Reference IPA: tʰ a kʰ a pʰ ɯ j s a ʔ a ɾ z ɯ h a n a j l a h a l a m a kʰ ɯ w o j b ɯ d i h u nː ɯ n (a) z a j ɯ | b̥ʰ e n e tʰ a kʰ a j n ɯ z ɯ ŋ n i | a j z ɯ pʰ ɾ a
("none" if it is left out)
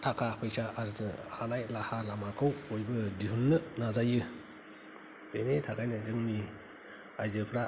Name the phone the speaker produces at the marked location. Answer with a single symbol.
a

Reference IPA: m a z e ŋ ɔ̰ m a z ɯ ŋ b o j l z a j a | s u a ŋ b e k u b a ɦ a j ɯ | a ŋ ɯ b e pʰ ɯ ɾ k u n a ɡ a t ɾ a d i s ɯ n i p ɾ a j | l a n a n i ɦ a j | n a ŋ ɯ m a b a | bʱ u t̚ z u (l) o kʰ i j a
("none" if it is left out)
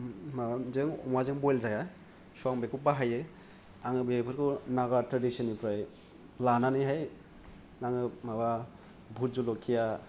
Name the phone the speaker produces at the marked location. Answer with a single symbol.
l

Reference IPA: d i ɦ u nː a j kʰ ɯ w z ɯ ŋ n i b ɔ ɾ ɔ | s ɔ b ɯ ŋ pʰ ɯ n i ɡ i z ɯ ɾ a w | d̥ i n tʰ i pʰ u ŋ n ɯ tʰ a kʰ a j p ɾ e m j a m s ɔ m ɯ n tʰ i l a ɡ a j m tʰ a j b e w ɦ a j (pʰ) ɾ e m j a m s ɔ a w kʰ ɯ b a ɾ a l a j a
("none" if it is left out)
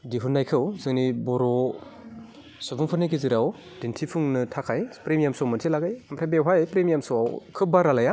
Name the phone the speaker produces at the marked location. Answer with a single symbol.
p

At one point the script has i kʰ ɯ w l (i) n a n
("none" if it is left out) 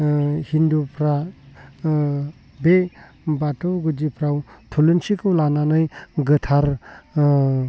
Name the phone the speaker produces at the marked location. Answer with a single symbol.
a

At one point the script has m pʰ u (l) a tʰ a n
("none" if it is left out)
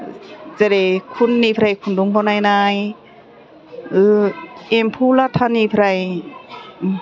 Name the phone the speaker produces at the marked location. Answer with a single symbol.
l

